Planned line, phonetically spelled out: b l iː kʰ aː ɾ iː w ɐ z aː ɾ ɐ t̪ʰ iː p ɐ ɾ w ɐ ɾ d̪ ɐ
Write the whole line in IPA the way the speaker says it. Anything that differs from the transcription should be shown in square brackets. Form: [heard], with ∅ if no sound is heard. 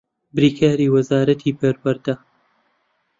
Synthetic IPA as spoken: b [ɾ] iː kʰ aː ɾ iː w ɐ z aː ɾ ɐ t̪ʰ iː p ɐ ɾ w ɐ ɾ d̪ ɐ